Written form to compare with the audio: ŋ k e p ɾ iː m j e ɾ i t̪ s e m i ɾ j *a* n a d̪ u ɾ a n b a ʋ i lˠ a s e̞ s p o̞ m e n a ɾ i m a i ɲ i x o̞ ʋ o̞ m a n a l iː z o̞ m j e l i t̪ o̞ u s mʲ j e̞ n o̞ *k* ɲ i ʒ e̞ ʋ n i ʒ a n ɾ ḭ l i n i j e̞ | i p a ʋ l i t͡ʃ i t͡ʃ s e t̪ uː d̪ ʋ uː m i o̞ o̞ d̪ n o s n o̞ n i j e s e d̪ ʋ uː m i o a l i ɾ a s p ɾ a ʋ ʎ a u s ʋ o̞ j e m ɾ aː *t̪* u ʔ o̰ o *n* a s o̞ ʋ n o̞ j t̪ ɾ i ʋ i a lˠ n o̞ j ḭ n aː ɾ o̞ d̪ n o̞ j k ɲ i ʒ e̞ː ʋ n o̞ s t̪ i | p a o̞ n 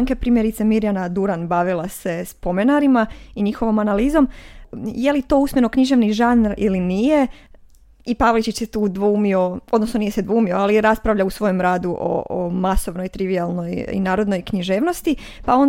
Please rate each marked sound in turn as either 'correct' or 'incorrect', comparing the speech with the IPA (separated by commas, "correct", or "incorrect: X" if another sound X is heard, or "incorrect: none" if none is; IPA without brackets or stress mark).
correct, correct, incorrect: d̪, incorrect: m